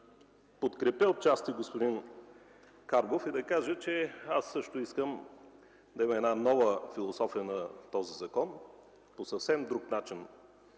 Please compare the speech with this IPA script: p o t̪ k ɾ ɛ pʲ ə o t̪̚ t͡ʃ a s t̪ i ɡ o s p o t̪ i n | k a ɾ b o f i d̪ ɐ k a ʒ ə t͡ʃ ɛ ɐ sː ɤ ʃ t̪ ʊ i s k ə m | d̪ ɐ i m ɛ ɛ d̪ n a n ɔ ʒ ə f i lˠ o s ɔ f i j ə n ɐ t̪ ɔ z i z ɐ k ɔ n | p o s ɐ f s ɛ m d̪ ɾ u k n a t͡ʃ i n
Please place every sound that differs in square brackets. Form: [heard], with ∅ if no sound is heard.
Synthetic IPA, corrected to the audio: p o t̪ k ɾ ɛ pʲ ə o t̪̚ t͡ʃ a s t̪ i ɡ o s p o [d̪] i n | k a ɾ b o f i d̪ ɐ k a ʒ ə t͡ʃ ɛ [a] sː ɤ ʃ t̪ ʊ i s k ə m | d̪ ɐ i m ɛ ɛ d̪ n a n ɔ [v] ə f i lˠ o s ɔ f i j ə n ɐ t̪ ɔ z i z ɐ k ɔ n | p o s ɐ f s ɛ m d̪ ɾ u k n a t͡ʃ i n